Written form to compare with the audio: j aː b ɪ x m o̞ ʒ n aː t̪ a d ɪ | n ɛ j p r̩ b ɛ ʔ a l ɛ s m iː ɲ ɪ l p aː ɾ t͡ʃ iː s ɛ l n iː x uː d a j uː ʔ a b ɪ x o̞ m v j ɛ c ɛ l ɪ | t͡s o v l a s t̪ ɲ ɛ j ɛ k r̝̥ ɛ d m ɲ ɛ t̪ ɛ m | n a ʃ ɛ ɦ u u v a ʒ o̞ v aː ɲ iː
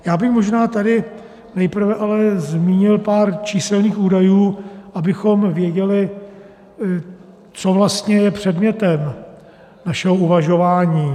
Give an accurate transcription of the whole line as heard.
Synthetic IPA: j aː b ɪ x m o̞ ʒ n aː t̪ a d ɪ | n ɛ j p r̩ v ɛ ʔ a l ɛ z m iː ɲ ɪ l p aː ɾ t͡ʃ iː s ɛ l n iː x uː d a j uː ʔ a b ɪ x o̞ m v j ɛ ɟ ɛ l ɪ | t͡s o v l a s t̪ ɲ ɛ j ɛ p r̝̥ ɛ d m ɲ ɛ t̪ ɛ m | n a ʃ ɛ ɦ o u v a ʒ o̞ v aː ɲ iː